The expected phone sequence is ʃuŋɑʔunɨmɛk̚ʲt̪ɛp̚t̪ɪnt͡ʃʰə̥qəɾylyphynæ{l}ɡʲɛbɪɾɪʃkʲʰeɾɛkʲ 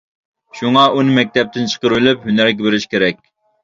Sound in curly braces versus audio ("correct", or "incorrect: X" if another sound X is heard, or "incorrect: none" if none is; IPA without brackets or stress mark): incorrect: ɾ